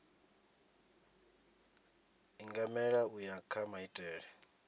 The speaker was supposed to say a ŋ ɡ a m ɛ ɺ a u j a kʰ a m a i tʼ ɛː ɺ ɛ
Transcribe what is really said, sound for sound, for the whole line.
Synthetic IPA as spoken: i ŋ ɡ a m ɛ ɺ a u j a kʰ a m a i tʼ ɛː ɺ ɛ